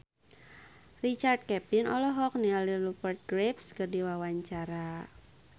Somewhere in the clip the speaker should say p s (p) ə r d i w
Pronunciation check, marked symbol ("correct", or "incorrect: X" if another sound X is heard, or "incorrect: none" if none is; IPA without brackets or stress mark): incorrect: k